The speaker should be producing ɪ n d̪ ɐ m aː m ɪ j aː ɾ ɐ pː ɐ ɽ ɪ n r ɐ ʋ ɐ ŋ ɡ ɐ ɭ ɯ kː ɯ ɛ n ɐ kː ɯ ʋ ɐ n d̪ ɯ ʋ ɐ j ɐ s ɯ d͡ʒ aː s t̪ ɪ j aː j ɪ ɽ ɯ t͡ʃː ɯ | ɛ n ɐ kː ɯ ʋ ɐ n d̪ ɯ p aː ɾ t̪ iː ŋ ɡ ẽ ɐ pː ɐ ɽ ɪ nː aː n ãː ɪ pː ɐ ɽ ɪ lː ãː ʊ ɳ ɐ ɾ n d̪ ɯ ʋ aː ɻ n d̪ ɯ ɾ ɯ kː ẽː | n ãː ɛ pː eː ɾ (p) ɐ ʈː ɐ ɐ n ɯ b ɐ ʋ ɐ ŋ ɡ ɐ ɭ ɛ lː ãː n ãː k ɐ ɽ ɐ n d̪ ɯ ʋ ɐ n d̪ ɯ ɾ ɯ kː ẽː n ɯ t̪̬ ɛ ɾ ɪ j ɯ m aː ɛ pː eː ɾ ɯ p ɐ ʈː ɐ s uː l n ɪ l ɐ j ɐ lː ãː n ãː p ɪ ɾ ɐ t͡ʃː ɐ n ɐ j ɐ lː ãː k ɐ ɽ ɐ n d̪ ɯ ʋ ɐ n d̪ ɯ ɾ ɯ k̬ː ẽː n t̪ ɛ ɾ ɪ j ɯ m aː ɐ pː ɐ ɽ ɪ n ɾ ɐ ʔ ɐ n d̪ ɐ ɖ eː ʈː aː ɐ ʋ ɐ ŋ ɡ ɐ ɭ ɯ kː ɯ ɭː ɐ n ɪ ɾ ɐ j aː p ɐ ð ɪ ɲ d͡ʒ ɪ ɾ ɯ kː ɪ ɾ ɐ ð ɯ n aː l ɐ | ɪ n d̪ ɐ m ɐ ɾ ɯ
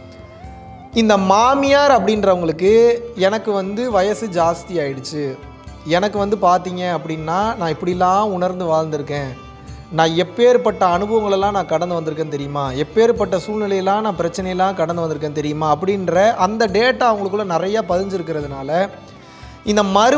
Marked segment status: correct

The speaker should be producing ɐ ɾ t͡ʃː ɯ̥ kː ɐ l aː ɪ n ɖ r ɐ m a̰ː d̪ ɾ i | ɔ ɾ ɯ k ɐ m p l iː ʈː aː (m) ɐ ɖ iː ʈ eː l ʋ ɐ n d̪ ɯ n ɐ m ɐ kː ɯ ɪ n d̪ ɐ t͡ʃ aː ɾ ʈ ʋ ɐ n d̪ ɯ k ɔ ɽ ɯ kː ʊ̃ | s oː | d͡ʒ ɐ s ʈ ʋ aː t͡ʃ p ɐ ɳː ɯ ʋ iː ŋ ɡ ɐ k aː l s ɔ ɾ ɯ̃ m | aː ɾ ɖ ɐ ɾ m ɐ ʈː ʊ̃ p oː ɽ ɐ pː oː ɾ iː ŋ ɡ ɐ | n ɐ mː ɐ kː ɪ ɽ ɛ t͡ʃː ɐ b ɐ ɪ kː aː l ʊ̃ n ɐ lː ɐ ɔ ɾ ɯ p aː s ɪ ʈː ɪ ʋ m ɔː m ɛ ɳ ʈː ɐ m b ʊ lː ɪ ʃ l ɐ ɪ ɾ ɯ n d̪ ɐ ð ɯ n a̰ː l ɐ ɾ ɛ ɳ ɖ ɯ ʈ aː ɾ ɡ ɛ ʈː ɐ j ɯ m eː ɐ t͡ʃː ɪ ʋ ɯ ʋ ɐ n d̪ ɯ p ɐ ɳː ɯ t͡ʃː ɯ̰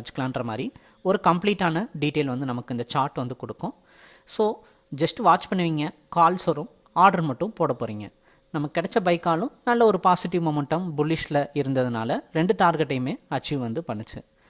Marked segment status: incorrect: n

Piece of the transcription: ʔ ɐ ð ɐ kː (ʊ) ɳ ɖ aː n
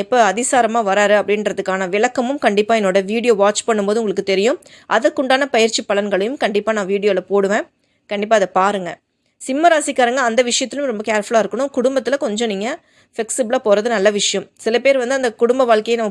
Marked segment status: correct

